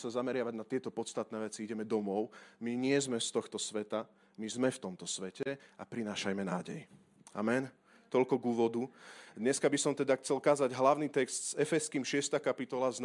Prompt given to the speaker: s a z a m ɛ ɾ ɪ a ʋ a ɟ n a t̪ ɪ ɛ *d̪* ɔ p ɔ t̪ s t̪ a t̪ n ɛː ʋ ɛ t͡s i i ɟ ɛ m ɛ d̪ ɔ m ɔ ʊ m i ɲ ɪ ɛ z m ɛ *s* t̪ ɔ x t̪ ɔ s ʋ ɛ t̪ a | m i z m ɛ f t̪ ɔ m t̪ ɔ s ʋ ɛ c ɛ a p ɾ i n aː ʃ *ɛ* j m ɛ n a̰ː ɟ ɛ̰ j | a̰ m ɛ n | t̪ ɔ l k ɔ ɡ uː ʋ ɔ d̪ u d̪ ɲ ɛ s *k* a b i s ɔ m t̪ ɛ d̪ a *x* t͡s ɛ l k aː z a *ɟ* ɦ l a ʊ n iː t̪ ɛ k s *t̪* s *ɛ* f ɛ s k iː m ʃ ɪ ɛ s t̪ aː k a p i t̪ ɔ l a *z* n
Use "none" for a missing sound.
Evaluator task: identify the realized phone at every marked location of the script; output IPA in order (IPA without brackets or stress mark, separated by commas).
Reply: t̪, s, a, k, x, ɟ, t̪, ɛ, z